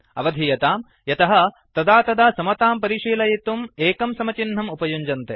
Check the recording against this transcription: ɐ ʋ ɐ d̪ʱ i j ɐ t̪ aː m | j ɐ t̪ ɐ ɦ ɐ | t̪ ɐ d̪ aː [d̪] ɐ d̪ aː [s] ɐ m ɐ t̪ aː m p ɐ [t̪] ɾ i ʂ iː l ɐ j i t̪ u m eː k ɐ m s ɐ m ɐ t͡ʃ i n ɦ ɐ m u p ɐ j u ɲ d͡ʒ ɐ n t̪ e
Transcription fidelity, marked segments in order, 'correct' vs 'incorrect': incorrect, correct, incorrect

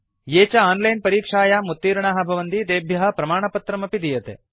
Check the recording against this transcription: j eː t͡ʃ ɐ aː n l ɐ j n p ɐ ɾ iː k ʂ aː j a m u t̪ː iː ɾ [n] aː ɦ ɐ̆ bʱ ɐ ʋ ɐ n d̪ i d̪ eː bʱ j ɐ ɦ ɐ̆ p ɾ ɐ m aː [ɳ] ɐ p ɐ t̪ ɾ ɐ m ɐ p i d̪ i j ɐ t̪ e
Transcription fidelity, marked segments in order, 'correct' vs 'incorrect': incorrect, correct

